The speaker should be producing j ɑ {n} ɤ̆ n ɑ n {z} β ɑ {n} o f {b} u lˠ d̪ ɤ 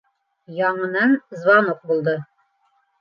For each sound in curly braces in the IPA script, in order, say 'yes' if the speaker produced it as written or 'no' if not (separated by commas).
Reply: no, yes, yes, yes